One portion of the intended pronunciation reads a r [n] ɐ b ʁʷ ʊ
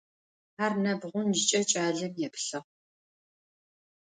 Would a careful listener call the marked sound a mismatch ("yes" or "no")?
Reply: no